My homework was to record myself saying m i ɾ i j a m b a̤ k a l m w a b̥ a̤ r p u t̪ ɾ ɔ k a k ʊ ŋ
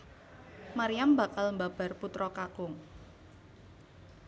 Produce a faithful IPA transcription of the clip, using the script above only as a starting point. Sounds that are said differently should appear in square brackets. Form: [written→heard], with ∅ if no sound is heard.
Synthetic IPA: m [i→a] ɾ i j a m b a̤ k a l m [w→b] a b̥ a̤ r p u t̪ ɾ ɔ k a k ʊ ŋ